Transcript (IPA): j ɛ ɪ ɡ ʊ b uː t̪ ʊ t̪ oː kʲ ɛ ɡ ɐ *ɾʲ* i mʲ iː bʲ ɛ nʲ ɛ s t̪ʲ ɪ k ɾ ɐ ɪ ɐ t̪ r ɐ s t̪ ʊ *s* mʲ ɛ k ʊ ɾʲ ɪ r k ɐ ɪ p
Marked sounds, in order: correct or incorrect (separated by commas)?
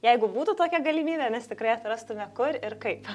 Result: incorrect, incorrect